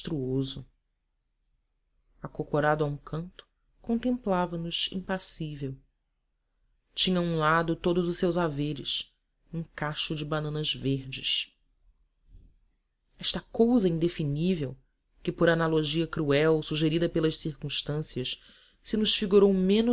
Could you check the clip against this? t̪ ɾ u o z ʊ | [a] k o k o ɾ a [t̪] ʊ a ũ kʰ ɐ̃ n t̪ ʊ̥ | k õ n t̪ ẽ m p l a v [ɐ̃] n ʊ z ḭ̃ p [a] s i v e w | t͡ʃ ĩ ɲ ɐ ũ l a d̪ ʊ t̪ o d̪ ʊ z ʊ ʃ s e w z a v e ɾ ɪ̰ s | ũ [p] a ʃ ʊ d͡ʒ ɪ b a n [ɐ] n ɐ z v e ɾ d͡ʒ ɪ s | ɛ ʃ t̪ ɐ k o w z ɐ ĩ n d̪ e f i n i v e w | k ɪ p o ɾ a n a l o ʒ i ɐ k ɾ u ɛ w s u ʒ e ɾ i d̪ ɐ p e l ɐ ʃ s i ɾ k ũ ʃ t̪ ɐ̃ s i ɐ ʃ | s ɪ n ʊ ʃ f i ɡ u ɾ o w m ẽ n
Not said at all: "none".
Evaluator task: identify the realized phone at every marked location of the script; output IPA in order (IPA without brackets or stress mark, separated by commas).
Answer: a, d̪, ɐ, a, k, ɐ̃